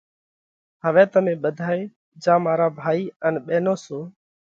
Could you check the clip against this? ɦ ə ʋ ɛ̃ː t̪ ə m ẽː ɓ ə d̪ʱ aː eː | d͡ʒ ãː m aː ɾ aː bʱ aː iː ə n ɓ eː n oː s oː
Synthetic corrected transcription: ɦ ə ʋ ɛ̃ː t̪ ə m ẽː ɓ ə d̪ʱ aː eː | d͡ʒ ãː m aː ɾ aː bʱ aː iː ə n ɓ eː n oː s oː